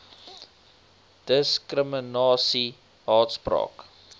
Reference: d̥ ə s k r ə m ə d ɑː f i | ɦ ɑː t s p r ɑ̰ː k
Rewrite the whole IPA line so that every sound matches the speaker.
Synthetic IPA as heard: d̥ ə s k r ə m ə n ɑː s i | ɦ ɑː t s p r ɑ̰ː k

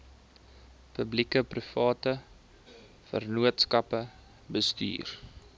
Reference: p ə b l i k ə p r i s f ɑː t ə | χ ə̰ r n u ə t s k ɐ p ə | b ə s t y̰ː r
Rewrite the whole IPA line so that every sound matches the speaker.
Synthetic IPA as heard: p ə b l i k ə p r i f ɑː t ə | f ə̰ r n u ə t s k ɐ p ə | b ə s t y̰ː r

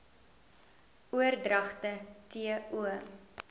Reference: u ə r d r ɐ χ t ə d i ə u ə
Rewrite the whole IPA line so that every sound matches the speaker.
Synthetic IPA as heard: u ə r d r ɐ χ t ə t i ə u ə

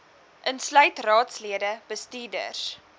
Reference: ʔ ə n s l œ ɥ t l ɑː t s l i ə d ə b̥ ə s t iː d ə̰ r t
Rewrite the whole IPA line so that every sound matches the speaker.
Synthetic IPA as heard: ʔ ə n s l œ ɥ t r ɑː t s l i ə d ə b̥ ə s t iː d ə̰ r s

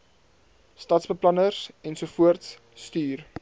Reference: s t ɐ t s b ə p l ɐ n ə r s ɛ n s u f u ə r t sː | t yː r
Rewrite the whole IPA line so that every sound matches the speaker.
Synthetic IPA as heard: s t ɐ t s b ə p l ɐ n ə r s ɛ n s u f u ə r t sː | t yː r

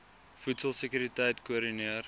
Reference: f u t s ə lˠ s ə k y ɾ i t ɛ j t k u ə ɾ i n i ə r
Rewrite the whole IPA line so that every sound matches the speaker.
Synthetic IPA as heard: f u t s ə lˠ s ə k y ɾ i t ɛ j t k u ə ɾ i n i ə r

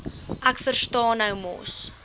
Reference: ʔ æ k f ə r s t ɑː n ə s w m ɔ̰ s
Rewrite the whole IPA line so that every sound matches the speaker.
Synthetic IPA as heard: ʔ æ k f ə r s t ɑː n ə w m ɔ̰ s

